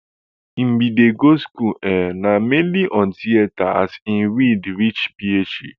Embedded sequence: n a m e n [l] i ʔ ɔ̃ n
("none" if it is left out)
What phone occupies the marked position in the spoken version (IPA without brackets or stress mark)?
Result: l